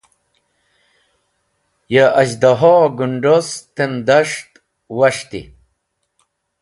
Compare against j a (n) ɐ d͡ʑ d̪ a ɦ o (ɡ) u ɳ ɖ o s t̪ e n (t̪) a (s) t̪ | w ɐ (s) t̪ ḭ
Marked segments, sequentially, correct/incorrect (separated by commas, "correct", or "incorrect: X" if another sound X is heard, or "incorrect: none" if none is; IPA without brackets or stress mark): incorrect: none, correct, incorrect: d̪, incorrect: ʂ, incorrect: ʂ